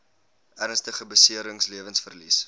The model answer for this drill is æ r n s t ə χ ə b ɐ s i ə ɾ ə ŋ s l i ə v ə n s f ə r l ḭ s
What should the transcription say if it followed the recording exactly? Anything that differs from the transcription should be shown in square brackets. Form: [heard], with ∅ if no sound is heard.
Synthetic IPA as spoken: æ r n s t ə χ ə b [ə] s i ə ɾ ə ŋ s l i ə v ə n s f ə r l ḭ s